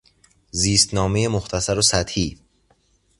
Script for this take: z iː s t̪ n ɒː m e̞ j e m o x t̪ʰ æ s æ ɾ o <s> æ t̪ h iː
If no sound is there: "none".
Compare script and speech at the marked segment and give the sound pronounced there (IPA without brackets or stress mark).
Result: s